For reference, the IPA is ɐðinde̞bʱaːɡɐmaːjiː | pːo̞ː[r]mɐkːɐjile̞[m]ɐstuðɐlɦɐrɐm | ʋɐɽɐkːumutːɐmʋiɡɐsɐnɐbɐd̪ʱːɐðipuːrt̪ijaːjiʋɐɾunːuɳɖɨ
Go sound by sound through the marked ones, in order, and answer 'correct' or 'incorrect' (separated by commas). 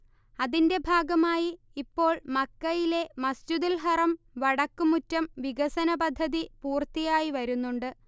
incorrect, correct